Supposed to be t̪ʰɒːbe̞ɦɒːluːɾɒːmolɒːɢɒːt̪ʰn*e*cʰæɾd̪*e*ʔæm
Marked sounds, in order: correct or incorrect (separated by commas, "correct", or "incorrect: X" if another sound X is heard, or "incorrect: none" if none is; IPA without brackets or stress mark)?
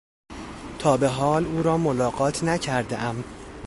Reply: incorrect: æ, correct